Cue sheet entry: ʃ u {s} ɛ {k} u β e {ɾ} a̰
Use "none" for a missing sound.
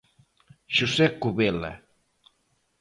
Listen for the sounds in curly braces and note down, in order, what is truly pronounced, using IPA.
s, k, l

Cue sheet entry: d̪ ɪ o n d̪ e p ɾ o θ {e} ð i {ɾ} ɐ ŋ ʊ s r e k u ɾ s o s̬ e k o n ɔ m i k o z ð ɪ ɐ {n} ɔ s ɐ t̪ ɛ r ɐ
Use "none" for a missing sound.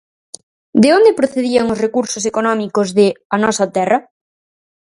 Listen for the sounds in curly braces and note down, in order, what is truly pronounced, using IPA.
e, none, n

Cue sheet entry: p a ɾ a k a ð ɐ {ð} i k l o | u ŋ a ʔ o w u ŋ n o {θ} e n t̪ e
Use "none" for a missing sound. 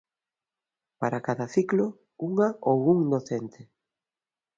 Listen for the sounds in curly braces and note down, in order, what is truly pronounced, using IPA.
θ, θ

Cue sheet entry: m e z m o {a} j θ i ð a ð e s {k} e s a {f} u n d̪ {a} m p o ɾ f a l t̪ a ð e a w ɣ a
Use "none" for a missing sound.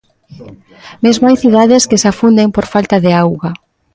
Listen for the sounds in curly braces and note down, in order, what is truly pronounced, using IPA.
a, k, f, e

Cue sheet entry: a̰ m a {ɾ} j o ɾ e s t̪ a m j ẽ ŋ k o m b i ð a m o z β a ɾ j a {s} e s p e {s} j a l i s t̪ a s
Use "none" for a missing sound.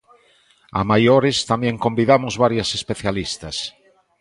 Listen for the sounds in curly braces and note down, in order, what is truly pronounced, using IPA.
none, s, θ

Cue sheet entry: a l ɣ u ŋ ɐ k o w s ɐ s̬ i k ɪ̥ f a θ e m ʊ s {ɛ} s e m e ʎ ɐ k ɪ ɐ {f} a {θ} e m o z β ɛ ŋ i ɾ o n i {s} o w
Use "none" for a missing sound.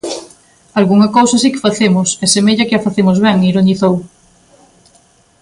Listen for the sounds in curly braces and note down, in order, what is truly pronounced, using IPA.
ɛ, f, θ, θ

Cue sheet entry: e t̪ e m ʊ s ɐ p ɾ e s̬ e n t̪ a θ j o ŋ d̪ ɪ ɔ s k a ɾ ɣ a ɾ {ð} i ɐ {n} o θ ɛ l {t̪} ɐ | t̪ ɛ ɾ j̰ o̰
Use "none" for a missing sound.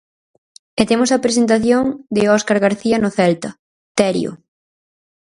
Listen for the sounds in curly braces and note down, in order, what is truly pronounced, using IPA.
θ, n, t̪

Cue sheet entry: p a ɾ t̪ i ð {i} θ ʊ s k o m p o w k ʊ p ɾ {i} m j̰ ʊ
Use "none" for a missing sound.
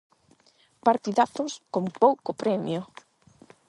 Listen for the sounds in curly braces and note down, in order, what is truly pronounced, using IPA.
a, ɛ

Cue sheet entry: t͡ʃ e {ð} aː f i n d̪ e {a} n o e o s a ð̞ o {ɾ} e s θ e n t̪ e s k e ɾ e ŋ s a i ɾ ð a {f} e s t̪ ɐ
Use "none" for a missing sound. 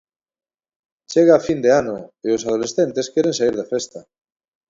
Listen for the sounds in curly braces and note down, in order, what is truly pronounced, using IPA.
ɣ, a, l, f

